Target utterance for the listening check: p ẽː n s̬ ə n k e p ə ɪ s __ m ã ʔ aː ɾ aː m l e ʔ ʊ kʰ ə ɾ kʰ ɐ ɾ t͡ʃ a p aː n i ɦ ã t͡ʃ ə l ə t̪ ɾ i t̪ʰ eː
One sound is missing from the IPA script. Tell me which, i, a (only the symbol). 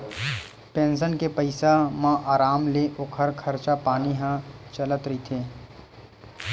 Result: a